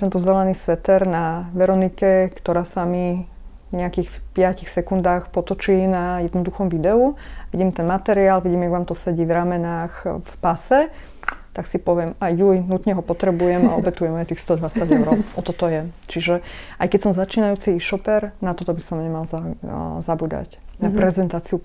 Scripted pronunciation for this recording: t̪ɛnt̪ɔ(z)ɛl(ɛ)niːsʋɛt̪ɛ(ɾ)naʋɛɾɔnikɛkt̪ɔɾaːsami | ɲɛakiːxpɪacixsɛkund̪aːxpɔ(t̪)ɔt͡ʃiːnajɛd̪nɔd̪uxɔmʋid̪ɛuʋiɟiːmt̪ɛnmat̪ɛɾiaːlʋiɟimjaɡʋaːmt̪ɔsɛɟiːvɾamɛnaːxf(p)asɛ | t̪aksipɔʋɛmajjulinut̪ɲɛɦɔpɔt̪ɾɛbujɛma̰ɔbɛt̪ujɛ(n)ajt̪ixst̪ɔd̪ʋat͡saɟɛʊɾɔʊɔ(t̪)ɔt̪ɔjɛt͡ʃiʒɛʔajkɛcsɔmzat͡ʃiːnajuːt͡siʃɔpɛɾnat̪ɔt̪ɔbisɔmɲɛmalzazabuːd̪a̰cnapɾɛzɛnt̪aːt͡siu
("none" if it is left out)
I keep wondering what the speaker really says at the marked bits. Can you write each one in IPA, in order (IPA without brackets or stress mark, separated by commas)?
z, ɛ, ɾ, t̪, p, m, t̪